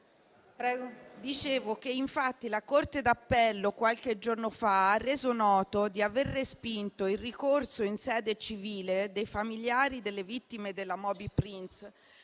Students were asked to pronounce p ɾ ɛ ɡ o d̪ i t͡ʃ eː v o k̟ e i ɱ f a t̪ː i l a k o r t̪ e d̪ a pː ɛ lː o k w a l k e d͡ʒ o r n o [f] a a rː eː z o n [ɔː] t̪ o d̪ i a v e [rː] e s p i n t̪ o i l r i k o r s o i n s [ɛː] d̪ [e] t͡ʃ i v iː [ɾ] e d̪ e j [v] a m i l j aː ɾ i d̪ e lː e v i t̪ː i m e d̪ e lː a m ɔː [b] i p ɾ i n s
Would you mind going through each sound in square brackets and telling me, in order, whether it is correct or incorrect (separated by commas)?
correct, correct, correct, correct, correct, incorrect, incorrect, correct